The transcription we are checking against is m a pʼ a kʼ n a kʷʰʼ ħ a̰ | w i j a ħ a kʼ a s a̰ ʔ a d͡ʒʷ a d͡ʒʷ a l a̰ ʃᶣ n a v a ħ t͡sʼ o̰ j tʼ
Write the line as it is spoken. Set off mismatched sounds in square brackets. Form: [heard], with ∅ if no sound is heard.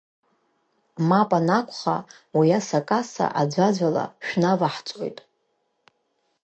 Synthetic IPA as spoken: m a pʼ a [∅] n a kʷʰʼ [χ] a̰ | w i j a [s] a kʼ a s a̰ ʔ a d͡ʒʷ a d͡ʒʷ a l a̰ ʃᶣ n a v a ħ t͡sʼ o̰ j tʼ